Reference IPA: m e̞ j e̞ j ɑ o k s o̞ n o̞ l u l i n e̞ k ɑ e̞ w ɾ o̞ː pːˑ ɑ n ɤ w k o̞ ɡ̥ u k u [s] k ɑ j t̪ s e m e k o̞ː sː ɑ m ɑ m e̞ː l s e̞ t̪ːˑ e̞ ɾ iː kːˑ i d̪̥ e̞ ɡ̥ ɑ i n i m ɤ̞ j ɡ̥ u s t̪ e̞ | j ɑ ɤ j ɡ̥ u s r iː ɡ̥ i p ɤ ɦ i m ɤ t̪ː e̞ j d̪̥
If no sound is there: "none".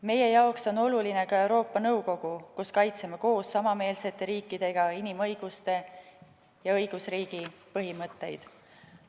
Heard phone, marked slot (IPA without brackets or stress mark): s